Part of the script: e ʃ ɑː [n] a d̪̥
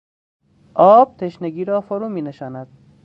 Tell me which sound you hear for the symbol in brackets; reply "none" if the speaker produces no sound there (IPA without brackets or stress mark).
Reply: n